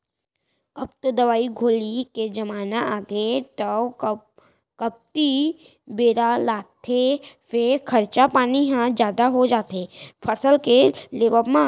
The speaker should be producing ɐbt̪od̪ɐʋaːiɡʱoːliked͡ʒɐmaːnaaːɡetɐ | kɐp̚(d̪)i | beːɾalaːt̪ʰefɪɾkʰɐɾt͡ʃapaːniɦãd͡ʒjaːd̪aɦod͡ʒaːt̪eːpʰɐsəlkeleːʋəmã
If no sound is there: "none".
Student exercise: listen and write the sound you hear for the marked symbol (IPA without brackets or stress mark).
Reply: t̪